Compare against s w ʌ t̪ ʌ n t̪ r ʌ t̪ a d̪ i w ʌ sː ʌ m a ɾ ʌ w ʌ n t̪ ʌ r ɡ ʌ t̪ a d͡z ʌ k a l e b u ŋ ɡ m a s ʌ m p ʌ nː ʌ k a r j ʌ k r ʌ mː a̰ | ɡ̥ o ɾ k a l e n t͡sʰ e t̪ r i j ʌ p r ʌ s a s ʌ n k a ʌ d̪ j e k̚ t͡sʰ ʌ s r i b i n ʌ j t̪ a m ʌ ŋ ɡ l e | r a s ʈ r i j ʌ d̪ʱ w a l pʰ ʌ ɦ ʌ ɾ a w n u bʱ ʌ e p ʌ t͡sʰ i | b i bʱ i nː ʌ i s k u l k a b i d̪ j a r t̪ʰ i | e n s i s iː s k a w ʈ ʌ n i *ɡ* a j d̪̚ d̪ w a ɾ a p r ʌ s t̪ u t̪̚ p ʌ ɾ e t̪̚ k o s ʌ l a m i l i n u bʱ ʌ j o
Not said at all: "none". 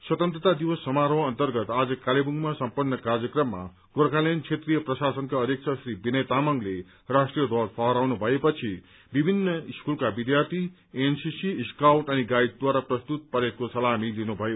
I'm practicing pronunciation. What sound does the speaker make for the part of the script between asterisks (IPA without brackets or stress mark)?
ɡ